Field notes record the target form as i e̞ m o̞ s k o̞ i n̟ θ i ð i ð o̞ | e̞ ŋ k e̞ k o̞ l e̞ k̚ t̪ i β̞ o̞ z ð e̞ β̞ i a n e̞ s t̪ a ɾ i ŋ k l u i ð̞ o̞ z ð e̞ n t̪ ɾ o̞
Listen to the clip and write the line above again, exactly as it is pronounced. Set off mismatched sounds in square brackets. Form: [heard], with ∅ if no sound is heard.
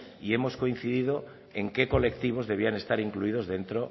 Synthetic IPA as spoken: i e̞ m o̞ s k o̞ i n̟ θ i ð i ð o̞ | e̞ ŋ k e̞ k o̞ l e̞ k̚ t̪ i β̞ o̞ z ð e̞ β̞ i a n e̞ s t̪ a ɾ i ŋ k l u i ð̞ o̞ z ð e̞ n t̪ ɾ o̞